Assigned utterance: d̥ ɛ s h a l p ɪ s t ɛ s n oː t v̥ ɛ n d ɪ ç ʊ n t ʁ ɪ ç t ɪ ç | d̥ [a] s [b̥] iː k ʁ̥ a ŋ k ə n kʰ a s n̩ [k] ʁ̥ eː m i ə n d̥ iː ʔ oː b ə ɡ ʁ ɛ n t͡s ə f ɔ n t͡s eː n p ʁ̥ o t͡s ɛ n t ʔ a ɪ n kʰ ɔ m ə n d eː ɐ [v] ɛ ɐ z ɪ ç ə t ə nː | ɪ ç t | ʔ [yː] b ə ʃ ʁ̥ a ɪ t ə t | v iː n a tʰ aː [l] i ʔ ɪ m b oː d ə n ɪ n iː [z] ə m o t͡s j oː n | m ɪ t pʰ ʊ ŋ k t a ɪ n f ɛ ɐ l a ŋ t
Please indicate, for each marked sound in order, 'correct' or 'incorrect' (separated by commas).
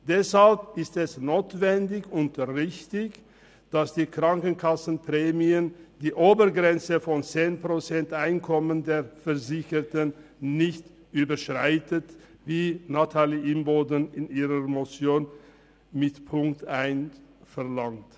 correct, incorrect, incorrect, incorrect, correct, correct, incorrect